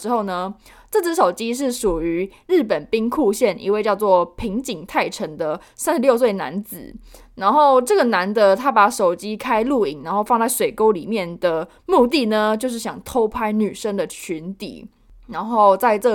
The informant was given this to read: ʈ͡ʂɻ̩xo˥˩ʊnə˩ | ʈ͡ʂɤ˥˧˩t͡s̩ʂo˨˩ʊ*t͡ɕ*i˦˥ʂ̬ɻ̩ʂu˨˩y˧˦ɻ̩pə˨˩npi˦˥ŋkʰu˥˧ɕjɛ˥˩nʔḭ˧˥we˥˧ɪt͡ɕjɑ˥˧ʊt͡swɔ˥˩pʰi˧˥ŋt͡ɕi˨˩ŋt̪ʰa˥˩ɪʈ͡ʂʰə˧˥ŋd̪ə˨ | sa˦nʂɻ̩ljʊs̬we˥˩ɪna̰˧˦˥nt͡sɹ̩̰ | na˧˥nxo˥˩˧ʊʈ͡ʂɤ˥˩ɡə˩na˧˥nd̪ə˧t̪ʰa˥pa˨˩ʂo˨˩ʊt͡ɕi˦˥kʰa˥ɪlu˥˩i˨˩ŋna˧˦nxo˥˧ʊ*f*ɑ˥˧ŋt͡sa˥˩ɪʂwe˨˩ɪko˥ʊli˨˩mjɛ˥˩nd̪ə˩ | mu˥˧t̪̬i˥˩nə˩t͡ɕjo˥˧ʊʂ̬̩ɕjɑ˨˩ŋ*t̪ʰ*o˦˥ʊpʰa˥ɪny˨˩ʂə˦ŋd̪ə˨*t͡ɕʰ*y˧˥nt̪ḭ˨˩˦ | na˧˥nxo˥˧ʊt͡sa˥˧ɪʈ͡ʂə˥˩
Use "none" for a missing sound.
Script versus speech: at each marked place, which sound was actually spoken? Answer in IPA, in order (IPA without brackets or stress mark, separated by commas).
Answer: t͡ɕ, f, t̪ʰ, t͡ɕʰ